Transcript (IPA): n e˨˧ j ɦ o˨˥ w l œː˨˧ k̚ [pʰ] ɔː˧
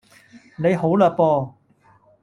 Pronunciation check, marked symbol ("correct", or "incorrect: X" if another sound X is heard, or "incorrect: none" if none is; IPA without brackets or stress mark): incorrect: p